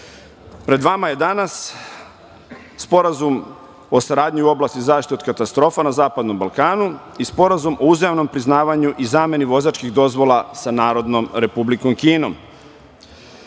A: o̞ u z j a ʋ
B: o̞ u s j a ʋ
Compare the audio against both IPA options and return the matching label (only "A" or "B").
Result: A